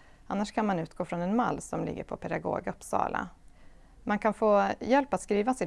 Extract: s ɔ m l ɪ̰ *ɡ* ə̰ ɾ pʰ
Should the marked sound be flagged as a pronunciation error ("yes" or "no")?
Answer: yes